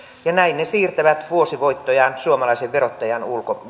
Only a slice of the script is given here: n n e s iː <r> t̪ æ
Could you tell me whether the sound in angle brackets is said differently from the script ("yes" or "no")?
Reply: no